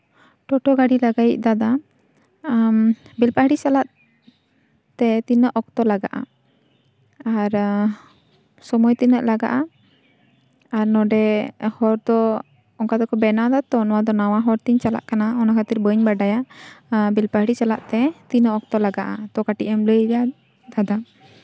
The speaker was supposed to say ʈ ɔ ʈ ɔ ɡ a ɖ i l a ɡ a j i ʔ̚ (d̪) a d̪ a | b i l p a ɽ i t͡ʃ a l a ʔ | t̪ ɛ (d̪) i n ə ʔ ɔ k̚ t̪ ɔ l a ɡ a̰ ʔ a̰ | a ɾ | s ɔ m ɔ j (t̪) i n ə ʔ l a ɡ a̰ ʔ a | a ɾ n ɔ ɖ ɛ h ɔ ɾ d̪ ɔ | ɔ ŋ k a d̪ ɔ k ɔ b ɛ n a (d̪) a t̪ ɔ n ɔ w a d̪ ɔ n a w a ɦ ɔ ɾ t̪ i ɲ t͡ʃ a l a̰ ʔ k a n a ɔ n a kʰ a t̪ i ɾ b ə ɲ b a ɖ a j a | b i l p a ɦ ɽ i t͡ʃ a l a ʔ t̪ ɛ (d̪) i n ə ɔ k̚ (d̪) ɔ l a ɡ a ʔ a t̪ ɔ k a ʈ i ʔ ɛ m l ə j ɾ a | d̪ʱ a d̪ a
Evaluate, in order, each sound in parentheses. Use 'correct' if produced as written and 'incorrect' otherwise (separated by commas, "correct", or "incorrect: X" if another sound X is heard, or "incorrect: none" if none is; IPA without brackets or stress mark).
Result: correct, incorrect: t̪, correct, correct, incorrect: t̪, incorrect: t̪